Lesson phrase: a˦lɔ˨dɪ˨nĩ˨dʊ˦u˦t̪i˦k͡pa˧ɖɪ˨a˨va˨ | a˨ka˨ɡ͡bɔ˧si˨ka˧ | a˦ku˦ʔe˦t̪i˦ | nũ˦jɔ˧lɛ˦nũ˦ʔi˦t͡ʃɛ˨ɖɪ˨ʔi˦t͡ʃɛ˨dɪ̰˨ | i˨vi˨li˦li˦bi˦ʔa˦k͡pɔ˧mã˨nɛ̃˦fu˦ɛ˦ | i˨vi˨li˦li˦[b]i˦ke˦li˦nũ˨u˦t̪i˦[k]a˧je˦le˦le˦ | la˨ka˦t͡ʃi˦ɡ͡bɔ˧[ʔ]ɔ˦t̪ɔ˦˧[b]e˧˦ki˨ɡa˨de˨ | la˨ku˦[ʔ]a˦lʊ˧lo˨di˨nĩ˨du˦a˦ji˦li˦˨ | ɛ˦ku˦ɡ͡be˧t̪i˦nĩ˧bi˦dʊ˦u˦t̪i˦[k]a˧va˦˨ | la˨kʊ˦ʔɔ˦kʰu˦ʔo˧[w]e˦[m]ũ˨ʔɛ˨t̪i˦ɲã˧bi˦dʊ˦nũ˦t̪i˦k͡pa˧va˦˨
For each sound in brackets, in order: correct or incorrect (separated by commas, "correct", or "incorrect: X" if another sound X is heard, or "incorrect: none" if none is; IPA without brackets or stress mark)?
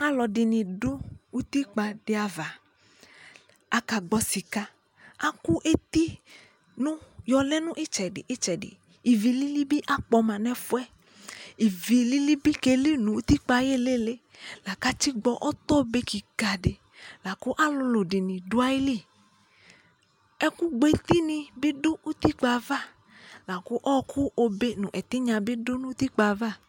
correct, incorrect: k͡p, correct, correct, correct, incorrect: k͡p, incorrect: b, incorrect: n